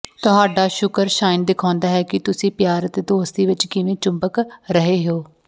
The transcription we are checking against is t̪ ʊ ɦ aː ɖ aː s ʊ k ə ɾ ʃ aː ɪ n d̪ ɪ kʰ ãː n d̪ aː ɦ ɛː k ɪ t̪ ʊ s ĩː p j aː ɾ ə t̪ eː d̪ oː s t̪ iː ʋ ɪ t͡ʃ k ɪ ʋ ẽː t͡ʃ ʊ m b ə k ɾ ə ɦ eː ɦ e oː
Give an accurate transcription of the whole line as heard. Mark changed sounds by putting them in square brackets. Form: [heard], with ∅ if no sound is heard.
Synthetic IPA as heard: t̪ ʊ ɦ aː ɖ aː [ʃ] ʊ k ə ɾ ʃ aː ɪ n d̪ ɪ kʰ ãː n d̪ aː ɦ ɛː k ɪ t̪ ʊ s ĩː p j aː ɾ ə t̪ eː d̪ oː s t̪ iː ʋ ɪ t͡ʃ k ɪ ʋ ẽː t͡ʃ ʊ m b ə k ɾ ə ɦ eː ɦ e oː